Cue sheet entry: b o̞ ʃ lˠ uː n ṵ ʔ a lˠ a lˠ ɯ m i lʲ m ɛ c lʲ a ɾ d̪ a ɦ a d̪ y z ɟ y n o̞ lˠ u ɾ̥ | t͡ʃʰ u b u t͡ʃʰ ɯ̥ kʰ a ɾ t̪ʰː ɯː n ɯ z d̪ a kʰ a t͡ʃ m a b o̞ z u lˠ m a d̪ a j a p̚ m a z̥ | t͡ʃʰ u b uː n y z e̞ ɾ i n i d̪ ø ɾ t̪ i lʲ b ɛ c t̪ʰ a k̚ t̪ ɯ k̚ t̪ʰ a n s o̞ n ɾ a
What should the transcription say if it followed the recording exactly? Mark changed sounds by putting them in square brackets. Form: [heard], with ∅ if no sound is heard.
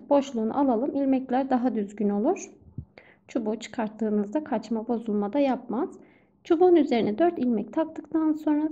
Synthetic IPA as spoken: b o̞ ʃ lˠ uː n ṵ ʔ a lˠ a lˠ ɯ m i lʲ m ɛ c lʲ [æ] ɾ d̪ a ɦ a d̪ y z ɟ y n o̞ lˠ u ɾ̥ | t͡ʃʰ u b u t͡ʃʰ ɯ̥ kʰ a ɾ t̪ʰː ɯː n ɯ z d̪ a kʰ a t͡ʃ m a b o̞ z u lˠ m a d̪ a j a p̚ m a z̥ | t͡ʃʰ u b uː n y z e̞ ɾ i n [ɛ] d̪ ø ɾ t̪ i lʲ [m] ɛ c t̪ʰ a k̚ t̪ ɯ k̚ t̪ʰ a n s o̞ n ɾ a